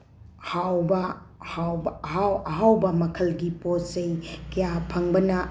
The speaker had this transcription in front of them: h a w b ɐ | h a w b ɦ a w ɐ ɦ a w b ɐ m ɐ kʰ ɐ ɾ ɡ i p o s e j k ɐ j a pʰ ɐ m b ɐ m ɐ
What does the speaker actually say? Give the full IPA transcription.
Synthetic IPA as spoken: h a w b ɐ | h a w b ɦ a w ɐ ɦ a w b ɐ m ɐ kʰ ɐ l ɡ i p o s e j k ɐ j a pʰ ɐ ŋ b ɐ n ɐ